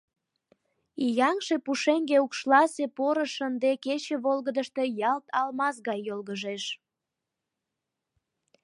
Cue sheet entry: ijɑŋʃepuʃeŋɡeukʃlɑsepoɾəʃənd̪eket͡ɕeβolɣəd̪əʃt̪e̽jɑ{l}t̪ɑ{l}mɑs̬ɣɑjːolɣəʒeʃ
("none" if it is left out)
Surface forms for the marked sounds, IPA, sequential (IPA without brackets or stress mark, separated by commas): l, l